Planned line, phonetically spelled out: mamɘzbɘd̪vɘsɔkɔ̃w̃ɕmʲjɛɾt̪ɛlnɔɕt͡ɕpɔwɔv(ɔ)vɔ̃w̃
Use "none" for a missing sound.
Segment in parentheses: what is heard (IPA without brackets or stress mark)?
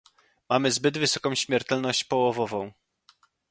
ɔ